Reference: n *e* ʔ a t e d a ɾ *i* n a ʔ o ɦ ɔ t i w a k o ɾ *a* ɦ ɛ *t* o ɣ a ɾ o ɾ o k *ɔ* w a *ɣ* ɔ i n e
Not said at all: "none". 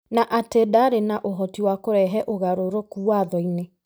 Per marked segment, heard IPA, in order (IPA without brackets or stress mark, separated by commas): a, e, ɛ, ʔ, u, ð